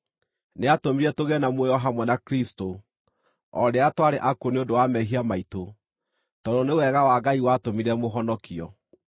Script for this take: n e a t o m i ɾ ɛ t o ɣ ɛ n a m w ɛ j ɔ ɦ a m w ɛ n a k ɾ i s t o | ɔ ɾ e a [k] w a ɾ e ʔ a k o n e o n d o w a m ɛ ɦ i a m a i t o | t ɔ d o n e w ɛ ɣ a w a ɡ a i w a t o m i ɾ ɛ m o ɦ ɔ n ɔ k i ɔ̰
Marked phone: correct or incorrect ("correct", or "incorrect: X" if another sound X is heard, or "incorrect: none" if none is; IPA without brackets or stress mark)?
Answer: incorrect: t